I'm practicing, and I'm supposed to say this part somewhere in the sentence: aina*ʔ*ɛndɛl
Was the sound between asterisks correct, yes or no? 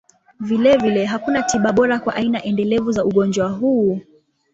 yes